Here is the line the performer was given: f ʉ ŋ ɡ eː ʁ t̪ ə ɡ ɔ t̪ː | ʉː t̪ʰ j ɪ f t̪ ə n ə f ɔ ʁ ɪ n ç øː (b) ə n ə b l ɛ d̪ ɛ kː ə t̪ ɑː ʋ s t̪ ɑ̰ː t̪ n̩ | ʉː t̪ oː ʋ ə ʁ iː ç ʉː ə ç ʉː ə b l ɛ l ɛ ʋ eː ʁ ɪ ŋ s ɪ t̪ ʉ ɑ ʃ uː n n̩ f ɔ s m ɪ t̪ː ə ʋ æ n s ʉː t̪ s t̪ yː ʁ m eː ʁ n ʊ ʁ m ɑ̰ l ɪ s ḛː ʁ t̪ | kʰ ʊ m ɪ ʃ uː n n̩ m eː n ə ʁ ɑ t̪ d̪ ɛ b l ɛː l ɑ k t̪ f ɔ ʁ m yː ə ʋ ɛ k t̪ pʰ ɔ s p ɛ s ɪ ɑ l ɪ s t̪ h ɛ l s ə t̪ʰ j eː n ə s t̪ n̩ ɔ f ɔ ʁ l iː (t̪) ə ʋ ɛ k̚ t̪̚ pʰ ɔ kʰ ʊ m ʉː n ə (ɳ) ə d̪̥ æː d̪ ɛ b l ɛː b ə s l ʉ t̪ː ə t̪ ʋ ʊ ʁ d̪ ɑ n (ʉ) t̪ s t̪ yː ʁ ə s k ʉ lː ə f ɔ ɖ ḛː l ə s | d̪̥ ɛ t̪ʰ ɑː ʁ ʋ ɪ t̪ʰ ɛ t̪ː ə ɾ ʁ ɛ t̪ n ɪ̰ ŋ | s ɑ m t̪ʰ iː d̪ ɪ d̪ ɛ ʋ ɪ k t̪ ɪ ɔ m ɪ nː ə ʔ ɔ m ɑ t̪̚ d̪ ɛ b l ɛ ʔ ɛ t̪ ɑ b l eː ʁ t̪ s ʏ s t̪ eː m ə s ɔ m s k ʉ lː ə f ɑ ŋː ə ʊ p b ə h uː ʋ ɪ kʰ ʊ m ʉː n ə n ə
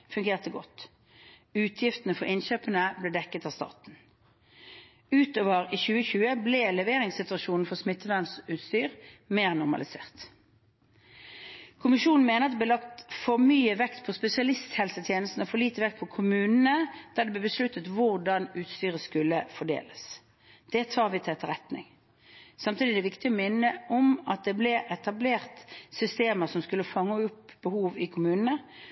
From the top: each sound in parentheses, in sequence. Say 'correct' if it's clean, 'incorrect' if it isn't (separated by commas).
incorrect, correct, incorrect, incorrect